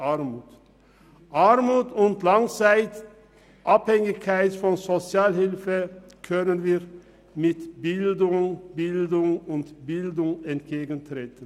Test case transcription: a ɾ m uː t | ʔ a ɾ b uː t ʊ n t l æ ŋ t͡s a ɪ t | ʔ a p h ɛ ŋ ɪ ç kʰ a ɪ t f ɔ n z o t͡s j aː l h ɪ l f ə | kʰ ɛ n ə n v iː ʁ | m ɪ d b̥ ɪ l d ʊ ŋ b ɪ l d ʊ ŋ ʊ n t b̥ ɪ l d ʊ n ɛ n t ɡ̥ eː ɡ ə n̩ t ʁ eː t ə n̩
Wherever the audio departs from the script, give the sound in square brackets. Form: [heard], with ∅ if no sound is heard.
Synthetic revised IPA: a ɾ m uː t | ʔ a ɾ [m] uː t ʊ n t l [a] ŋ t͡s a ɪ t | ʔ a p h ɛ ŋ ɪ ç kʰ a ɪ t f ɔ n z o t͡s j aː l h ɪ l f ə | kʰ [œ] n ə n v iː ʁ | m ɪ [t] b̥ ɪ l d ʊ ŋ b ɪ l d ʊ ŋ ʊ n t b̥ ɪ l d ʊ [ŋ] ɛ n t ɡ̥ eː ɡ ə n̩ t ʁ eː t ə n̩